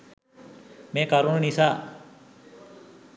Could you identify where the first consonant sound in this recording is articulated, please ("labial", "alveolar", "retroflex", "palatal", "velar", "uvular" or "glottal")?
labial